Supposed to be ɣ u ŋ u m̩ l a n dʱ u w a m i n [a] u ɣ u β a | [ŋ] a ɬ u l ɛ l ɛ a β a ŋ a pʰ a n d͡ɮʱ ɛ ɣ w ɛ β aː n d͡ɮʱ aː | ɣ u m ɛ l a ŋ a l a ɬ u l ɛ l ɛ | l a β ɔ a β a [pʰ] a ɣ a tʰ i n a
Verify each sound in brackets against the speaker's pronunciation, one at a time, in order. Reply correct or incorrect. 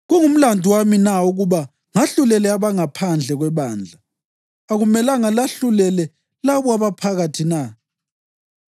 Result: correct, correct, correct

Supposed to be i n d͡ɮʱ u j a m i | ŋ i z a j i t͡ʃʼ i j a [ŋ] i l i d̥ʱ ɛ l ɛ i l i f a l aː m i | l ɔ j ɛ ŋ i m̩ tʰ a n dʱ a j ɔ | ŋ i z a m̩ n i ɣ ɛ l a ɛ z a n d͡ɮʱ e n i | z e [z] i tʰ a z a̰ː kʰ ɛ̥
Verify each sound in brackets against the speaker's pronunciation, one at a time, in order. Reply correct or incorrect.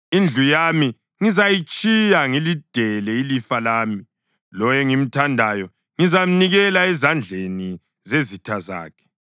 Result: correct, correct

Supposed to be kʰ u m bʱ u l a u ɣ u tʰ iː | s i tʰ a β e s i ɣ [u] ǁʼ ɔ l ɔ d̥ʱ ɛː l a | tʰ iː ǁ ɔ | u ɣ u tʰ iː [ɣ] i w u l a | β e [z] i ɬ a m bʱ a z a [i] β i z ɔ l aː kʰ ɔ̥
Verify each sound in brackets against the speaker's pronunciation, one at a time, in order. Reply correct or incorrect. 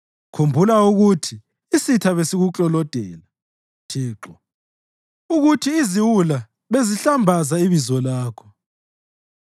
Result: correct, incorrect, correct, correct

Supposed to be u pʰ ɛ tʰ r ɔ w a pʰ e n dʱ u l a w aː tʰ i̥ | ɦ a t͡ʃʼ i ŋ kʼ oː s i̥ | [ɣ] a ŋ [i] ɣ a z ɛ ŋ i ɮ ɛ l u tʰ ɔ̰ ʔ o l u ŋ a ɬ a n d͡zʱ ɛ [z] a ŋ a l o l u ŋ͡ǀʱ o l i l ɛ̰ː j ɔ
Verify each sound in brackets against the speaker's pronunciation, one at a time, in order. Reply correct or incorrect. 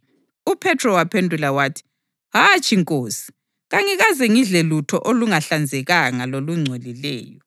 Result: correct, correct, incorrect

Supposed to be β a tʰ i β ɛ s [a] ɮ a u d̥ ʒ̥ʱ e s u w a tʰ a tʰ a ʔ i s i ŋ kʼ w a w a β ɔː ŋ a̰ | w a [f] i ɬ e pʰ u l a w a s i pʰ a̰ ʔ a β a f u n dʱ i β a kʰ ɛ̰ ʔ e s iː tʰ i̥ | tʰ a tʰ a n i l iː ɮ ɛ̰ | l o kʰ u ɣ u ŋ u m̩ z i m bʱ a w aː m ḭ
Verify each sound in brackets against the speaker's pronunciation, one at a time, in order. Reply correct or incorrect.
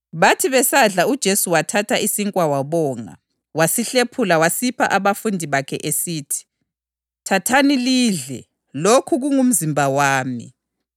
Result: correct, incorrect

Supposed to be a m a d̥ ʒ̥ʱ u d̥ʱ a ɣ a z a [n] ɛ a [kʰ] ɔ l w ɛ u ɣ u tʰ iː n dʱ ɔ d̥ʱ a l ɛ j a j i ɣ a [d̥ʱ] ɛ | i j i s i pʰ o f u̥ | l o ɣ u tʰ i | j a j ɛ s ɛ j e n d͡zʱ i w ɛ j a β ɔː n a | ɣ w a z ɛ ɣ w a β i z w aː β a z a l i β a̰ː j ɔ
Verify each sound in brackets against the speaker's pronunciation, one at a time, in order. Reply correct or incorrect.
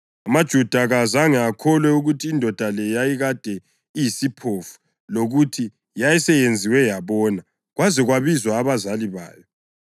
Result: incorrect, correct, correct

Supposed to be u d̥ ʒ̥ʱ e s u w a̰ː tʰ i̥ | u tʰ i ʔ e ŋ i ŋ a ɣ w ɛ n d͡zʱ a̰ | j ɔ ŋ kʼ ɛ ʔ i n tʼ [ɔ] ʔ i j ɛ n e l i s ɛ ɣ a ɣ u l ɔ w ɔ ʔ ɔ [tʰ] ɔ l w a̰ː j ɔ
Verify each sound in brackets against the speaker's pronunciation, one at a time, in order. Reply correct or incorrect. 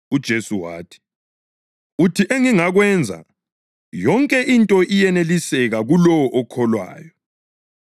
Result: correct, incorrect

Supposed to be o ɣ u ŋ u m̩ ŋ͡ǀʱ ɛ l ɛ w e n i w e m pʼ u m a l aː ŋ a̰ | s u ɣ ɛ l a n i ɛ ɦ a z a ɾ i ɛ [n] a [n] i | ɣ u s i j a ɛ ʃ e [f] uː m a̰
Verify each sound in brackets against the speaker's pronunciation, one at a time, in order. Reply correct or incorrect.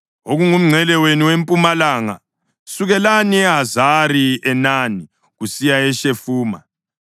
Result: correct, correct, correct

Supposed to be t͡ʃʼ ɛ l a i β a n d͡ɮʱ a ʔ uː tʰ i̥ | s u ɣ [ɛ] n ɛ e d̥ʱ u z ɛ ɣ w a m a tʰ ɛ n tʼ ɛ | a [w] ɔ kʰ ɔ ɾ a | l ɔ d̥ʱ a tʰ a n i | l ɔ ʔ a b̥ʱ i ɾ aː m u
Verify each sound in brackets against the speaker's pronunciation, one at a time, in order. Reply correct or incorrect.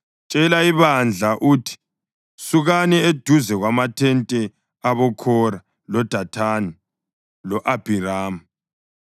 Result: incorrect, incorrect

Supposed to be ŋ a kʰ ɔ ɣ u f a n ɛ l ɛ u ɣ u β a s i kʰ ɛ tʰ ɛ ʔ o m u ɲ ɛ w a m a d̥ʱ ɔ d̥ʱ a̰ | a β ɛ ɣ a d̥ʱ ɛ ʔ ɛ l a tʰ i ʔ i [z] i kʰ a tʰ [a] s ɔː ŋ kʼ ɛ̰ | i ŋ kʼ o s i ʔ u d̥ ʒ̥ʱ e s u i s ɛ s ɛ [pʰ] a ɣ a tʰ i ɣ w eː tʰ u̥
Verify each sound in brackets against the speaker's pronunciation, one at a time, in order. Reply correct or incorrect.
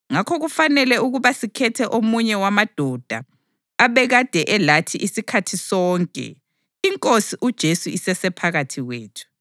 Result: incorrect, incorrect, correct

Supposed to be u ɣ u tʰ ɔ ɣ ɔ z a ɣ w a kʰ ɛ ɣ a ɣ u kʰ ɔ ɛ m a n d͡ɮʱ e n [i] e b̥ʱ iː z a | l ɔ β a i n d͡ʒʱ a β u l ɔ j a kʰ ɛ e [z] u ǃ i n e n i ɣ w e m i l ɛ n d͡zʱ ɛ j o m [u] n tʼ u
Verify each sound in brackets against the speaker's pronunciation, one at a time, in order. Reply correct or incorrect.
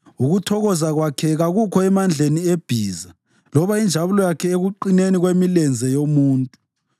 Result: correct, incorrect, incorrect

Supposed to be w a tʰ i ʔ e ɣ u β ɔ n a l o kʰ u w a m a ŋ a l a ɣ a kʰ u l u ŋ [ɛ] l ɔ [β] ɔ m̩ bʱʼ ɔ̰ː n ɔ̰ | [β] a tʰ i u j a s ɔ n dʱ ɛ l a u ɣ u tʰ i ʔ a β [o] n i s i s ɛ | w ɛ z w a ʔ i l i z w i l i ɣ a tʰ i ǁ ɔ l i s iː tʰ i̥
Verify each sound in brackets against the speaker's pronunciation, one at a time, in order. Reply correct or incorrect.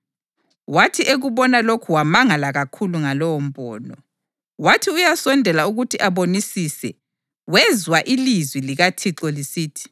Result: incorrect, incorrect, incorrect, correct

